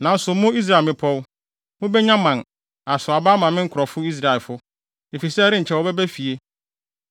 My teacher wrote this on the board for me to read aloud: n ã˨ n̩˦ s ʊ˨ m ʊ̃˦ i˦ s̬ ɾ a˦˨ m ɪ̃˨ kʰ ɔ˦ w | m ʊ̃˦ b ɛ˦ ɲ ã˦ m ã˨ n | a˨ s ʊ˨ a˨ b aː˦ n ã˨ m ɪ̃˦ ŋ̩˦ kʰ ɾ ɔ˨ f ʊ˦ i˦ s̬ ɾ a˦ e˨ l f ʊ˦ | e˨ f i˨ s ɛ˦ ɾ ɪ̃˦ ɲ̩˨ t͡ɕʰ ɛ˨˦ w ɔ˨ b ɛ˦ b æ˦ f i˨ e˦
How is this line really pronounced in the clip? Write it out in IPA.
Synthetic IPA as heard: n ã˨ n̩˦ s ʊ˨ m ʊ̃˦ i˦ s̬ ɾ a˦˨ m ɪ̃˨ pʰ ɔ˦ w | m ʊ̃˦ b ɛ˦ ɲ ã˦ m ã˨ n | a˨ s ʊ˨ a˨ b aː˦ m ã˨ m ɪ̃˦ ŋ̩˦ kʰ ɾ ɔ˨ f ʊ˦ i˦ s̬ ɾ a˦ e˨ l f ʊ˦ | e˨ f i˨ s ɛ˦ ɾ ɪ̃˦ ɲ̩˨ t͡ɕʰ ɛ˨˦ w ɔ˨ b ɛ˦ b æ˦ f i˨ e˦